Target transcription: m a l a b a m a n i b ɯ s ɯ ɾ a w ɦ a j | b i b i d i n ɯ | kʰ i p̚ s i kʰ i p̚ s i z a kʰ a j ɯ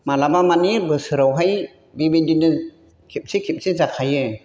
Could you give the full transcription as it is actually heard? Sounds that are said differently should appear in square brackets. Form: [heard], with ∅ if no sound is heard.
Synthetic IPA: m a l a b a m a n i b ɯ s ɯ ɾ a w ɦ a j | b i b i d i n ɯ | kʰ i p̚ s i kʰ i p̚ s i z a kʰ a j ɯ